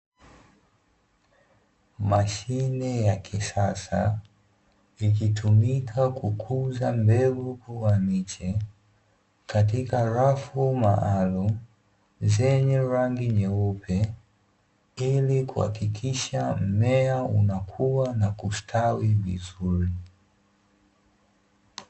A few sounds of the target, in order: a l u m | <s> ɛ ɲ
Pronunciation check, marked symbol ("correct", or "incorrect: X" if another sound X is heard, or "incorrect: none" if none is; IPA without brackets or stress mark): incorrect: z